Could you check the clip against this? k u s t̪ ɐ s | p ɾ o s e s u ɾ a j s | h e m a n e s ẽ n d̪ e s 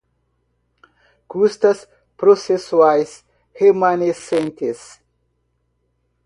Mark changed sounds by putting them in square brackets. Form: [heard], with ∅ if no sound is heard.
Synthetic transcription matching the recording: k u s t̪ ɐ s | p ɾ o s e s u [∅] a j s | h e m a n e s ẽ n [t̪] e s